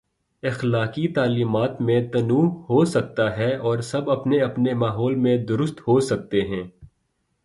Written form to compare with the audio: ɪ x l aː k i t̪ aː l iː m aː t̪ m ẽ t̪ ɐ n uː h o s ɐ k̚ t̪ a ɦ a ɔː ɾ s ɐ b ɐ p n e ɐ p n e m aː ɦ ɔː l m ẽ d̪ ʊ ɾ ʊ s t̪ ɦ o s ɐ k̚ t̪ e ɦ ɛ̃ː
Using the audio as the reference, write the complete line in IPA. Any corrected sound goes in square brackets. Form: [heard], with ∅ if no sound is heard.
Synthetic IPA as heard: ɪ x l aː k i t̪ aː l iː m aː t̪ m ẽ t̪ ɐ n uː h o s ɐ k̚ t̪ a ɦ [ɛ] ɔː ɾ s ɐ b ɐ p n e ɐ p n e m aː ɦ ɔː l m ẽ d̪ ʊ ɾ ʊ s t̪ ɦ o s ɐ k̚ t̪ e ɦ ɛ̃ː